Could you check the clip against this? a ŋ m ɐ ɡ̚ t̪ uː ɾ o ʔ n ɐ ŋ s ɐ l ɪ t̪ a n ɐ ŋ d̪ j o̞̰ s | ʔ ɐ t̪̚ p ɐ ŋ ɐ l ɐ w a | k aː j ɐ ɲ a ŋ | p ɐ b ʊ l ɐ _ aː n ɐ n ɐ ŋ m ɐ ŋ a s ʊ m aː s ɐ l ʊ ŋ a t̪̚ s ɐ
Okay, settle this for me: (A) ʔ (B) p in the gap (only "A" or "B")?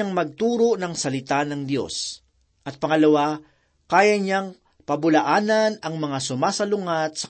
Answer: A